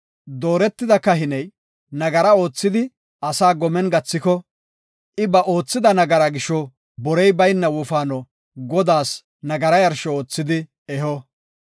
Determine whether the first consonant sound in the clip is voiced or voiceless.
voiced